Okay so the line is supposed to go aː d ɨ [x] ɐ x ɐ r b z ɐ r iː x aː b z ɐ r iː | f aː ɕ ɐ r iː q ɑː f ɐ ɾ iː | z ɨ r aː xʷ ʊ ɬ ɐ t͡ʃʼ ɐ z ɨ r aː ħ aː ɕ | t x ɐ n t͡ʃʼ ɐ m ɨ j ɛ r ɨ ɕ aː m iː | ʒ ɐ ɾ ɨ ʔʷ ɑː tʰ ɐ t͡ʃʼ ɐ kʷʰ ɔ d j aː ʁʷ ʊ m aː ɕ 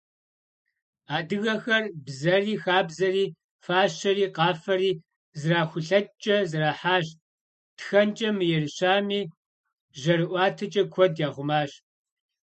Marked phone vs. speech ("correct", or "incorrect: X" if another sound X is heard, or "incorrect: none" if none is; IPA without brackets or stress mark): incorrect: ɣ